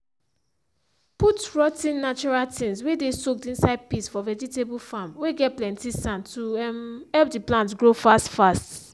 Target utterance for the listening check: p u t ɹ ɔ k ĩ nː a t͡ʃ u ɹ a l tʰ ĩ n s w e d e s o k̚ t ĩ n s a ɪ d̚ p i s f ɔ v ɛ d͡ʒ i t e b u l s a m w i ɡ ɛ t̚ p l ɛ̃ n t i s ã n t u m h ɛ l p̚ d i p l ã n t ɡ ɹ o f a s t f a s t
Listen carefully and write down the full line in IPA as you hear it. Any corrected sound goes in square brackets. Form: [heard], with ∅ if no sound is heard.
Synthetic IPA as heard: p u t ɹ ɔ [t] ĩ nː a t͡ʃ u ɹ a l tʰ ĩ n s w e d e s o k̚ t ĩ n s a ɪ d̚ p i s f ɔ v ɛ d͡ʒ i t e b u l [f] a m w [e] ɡ ɛ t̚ p l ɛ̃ n t i s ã n t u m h ɛ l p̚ d i p l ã n t ɡ ɹ o f a s t f a s t